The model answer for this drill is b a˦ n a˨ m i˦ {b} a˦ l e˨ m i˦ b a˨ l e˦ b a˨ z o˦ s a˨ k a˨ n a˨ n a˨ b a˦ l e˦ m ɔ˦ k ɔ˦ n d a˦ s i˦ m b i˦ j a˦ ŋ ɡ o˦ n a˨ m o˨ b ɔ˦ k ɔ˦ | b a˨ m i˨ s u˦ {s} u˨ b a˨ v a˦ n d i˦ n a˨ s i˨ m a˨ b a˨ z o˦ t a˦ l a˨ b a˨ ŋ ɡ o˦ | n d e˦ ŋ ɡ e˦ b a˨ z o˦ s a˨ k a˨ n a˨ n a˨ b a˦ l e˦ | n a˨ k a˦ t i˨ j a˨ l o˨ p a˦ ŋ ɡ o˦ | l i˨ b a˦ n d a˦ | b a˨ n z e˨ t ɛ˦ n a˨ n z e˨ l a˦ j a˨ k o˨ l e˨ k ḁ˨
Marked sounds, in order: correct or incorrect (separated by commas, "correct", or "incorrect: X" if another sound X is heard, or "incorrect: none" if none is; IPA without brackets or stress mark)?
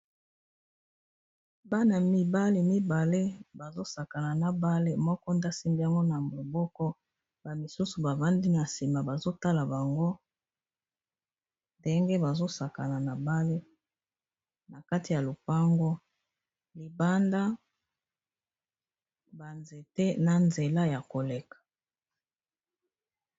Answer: correct, correct